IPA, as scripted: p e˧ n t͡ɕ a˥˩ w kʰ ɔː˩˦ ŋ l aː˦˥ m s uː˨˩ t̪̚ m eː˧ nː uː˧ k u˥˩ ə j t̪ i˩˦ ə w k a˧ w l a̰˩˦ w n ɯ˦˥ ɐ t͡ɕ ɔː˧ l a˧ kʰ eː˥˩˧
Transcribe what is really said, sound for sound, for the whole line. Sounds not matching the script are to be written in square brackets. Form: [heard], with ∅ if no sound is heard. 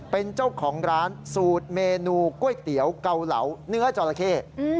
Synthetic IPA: p e˧ n t͡ɕ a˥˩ w kʰ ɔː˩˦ ŋ [ɾ] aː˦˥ [n] s uː˨˩ t̪̚ m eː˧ [n] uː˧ k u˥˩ ə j t̪ i˩˦ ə w k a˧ w l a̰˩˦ w n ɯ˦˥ ɐ t͡ɕ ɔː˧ l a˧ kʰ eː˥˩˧